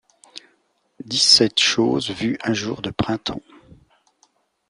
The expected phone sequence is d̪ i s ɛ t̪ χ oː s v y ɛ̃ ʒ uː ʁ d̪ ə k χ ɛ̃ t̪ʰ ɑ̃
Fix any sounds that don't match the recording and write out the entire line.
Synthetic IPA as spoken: d̪ i s ɛ t̪ ʃ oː z v y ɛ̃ ʒ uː ʁ d̪ ə p χ ɛ̃ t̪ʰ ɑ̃